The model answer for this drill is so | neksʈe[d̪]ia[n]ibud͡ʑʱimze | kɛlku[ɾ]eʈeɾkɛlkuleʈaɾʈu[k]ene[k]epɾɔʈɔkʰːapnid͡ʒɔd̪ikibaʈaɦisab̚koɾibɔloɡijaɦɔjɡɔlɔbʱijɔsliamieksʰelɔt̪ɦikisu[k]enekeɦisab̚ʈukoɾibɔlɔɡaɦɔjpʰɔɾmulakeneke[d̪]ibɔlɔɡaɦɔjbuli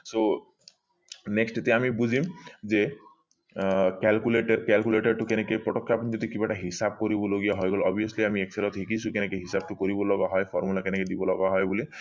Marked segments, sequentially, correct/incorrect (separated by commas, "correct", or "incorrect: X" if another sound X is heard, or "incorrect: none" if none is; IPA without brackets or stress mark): incorrect: t̪, incorrect: m, incorrect: l, correct, correct, correct, correct